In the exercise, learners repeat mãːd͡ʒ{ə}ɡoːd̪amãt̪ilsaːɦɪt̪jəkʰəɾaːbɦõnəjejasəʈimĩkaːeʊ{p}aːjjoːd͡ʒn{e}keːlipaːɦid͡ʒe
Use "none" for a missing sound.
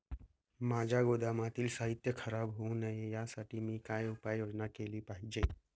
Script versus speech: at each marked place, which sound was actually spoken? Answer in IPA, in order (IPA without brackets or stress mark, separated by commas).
a, p, a